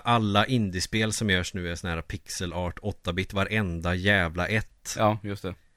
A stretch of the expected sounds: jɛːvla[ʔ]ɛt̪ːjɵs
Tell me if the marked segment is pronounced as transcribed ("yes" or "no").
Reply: yes